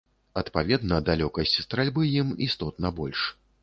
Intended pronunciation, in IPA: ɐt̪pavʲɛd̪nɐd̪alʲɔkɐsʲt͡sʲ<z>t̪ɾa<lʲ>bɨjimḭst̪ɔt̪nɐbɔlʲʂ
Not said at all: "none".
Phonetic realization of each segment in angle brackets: s, lʲ

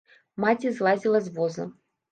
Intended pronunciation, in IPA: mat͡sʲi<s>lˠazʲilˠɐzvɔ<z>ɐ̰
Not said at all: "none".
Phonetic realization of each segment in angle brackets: z, z

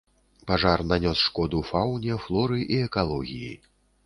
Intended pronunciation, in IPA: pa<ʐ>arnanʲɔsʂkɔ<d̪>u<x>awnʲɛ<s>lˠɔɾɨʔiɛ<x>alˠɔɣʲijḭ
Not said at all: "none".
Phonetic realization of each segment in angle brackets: ʐ, d̪, f, f, k

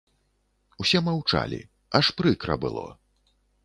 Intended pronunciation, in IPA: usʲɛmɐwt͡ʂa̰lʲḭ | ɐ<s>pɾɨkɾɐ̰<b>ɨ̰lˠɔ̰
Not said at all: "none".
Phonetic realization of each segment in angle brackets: ʂ, b

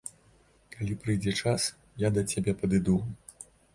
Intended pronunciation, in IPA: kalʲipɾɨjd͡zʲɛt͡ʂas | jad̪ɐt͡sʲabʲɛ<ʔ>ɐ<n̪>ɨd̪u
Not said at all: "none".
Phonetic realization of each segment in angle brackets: p, d̪

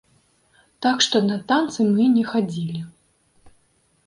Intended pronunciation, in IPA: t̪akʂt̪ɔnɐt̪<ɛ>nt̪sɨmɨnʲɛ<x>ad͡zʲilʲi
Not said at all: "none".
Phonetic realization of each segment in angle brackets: a, x

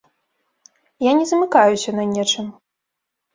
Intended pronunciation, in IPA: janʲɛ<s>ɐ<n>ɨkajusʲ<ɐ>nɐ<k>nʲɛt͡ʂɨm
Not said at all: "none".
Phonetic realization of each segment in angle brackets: z, m, ɐ, none

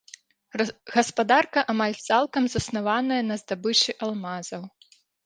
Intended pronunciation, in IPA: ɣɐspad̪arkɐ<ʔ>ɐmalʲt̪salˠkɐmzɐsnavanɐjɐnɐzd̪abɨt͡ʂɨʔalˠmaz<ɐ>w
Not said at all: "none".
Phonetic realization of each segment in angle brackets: ʔ, ɐ

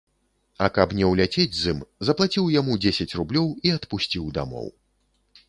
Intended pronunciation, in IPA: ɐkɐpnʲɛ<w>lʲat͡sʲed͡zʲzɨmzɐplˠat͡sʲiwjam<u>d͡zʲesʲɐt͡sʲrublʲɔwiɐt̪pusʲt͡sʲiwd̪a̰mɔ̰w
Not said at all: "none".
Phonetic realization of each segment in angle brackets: w, u

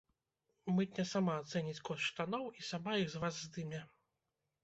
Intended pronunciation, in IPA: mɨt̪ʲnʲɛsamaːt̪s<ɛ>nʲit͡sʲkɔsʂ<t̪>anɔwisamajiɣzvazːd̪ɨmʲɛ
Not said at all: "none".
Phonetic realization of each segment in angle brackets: ɛ, t̪

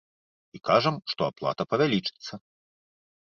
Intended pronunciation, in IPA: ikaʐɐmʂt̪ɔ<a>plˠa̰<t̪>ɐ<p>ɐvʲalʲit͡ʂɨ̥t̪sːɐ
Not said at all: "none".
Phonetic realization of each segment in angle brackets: a, t̪, p

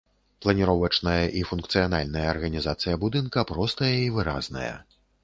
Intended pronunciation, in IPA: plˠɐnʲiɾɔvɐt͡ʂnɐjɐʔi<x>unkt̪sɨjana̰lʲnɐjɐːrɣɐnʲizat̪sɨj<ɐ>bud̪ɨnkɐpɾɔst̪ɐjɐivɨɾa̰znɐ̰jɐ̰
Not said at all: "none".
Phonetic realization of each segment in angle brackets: f, ɐ

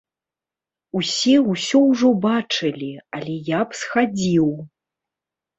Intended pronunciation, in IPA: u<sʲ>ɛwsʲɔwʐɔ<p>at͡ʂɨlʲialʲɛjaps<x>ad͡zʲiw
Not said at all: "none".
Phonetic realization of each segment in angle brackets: sʲ, b, x

